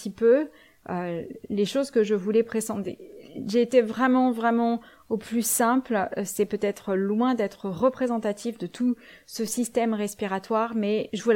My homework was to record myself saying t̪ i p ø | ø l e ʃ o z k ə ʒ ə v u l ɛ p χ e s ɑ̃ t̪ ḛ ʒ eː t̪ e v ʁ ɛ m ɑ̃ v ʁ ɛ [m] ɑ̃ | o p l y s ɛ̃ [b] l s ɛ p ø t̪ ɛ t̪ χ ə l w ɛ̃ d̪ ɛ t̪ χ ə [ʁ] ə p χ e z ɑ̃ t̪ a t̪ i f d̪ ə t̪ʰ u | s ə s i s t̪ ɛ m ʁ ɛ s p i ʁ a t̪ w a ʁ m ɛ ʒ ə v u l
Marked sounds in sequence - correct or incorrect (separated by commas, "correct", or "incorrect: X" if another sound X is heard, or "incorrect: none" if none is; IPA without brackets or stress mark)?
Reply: correct, incorrect: p, correct